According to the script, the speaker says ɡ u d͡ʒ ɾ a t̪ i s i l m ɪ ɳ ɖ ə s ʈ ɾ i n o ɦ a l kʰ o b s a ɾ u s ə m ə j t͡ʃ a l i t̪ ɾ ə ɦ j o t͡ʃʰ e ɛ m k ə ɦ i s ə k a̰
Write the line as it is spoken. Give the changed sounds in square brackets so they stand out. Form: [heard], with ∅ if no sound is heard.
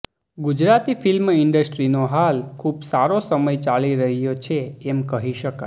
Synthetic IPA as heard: ɡ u d͡ʒ ɾ a t̪ i [f] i l m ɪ ɳ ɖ ə s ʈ ɾ i n o ɦ a l kʰ [u] b s a ɾ [o] s ə m ə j t͡ʃ a l i [∅] ɾ ə ɦ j o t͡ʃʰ e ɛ m k ə ɦ i [ʃ] ə k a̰